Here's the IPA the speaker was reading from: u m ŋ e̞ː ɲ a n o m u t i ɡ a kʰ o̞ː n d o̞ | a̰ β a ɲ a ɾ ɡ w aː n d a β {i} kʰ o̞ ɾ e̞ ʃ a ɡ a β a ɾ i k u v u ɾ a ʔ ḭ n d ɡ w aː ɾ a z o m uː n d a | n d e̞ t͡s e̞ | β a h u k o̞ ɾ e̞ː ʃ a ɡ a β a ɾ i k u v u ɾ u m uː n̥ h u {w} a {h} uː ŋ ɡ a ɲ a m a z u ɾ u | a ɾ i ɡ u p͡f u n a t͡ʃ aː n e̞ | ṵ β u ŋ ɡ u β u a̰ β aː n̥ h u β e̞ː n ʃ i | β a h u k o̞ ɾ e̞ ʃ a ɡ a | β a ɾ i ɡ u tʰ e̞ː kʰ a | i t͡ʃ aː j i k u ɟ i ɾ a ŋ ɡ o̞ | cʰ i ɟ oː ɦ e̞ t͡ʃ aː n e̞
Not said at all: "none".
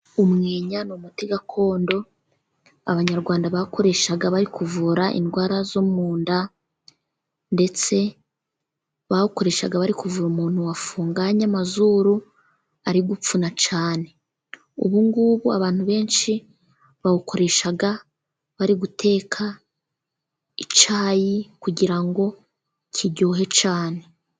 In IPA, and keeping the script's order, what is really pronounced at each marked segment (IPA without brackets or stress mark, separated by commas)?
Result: a, w, f